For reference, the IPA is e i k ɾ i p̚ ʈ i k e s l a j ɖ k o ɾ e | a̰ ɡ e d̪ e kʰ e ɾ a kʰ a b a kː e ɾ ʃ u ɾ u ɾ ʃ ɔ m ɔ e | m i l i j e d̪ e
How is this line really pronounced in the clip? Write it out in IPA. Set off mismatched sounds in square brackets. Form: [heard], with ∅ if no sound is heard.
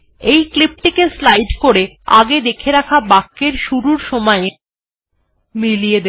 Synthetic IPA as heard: e [j] k [l] i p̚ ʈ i k e s l a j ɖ k o ɾ e | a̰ ɡ e d̪ e kʰ e ɾ a kʰ a b a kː e ɾ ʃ u ɾ u ɾ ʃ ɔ m ɔ e | m i l i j e d̪ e